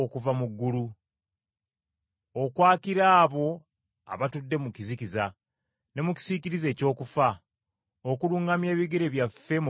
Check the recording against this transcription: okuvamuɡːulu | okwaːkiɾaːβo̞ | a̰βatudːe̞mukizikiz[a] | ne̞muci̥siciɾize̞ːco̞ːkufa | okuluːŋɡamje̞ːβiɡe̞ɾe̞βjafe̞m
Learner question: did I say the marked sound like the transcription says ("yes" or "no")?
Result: yes